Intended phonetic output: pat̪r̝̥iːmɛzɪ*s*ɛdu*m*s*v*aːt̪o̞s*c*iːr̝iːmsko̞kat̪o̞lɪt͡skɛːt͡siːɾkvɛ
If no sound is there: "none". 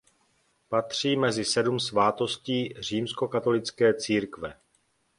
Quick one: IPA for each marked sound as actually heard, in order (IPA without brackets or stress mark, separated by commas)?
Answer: s, m, v, c